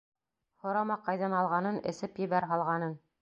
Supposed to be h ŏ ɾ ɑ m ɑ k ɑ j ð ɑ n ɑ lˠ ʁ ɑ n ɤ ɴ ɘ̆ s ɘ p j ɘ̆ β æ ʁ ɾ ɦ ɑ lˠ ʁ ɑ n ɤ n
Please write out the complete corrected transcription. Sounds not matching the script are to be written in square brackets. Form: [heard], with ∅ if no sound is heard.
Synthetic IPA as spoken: h ŏ ɾ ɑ m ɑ [q] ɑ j ð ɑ n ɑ lˠ ʁ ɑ n ɤ [n] ɘ̆ s ɘ p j ɘ̆ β æ [∅] ɾ ɦ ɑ lˠ ʁ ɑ n ɤ n